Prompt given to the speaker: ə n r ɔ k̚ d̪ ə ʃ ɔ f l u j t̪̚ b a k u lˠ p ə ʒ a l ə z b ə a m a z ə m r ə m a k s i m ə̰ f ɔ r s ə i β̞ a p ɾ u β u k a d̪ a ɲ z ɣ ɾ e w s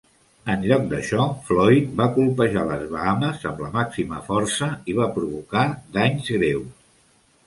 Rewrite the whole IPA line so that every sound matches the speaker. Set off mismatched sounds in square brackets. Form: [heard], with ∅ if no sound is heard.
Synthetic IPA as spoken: ə n [ʎ] ɔ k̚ d̪ ə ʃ ɔ f l [ɔ] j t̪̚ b a k u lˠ p ə ʒ a l ə z [β] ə a m [ə] z ə m [l] ə m a k s i m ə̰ f ɔ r s ə i β̞ a p ɾ u β u k a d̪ a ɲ z ɣ ɾ e w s